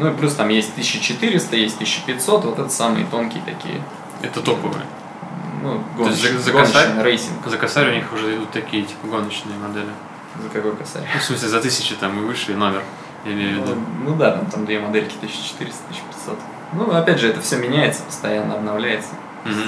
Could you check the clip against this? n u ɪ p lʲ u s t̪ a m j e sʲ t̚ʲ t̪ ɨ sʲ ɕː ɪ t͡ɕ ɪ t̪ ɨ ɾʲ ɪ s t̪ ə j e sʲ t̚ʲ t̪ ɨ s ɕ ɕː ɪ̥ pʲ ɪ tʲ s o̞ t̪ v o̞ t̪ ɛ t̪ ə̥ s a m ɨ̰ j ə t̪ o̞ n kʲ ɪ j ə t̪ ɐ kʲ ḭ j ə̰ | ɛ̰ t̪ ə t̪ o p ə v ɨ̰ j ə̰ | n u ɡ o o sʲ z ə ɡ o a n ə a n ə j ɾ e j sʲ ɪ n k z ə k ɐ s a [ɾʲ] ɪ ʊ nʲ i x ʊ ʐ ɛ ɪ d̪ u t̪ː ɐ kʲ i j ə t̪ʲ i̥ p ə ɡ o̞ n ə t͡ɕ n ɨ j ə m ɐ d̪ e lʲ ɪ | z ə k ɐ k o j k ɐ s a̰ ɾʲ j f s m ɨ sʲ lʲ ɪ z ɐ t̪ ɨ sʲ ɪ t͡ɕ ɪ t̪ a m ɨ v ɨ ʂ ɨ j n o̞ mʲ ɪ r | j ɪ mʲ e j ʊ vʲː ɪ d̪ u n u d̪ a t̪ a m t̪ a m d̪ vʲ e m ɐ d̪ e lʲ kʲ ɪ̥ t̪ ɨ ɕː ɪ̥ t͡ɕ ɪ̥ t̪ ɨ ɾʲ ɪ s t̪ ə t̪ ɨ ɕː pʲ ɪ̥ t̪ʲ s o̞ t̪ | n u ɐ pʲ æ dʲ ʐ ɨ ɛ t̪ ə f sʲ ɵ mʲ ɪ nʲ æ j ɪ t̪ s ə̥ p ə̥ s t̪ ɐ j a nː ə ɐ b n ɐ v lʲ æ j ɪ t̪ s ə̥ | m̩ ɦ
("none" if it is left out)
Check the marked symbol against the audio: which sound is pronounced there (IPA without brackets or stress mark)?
ɾʲ